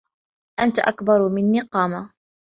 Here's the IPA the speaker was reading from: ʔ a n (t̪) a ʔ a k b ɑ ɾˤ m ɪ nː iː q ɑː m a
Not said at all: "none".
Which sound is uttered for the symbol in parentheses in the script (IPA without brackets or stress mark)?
t̪